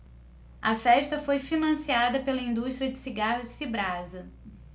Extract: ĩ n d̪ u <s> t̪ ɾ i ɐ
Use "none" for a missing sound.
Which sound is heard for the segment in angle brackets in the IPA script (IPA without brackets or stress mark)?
ʃ